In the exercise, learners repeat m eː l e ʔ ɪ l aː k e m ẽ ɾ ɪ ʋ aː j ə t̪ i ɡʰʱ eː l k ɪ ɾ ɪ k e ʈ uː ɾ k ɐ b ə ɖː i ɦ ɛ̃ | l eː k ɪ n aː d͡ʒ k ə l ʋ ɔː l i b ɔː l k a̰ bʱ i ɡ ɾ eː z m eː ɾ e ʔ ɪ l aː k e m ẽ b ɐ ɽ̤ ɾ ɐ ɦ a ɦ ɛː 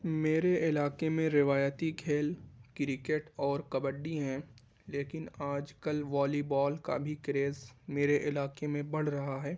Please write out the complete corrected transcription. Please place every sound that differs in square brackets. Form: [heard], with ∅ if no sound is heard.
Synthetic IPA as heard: m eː [ɾ] e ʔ ɪ l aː k e m ẽ ɾ ɪ ʋ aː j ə t̪ i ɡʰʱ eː l k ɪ ɾ ɪ k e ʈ [ɔː] ɾ k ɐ b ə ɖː i ɦ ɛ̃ | l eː k ɪ n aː d͡ʒ k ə l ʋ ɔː l i b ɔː l k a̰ bʱ i [k] ɾ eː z m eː ɾ e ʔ ɪ l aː k e m ẽ b ɐ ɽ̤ ɾ ɐ ɦ a ɦ ɛː